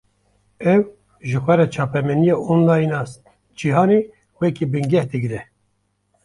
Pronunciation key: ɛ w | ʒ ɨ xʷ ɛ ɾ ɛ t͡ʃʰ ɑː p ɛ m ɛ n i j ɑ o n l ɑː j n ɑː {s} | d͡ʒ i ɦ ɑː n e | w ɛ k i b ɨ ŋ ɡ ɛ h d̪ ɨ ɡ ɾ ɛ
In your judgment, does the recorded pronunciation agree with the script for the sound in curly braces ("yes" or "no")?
yes